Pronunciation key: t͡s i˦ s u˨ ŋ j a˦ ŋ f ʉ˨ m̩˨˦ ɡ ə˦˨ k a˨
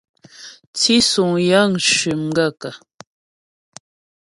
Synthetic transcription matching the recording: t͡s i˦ s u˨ ŋ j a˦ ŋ ʃ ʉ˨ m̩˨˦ ɡ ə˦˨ k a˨